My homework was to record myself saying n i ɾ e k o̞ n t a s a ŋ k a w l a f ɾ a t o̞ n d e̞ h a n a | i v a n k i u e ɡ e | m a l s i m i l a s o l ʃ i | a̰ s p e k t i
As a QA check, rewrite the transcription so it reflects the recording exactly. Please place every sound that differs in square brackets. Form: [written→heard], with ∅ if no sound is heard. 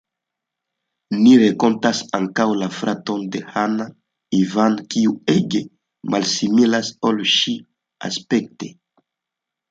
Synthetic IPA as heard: n i ɾ e k o̞ n t a s a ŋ k a w l a f ɾ a t o̞ n d e̞ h a n a | i v a n k i u e ɡ e | m a l s i m i l a s o l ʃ i | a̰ s p e k t [i→e]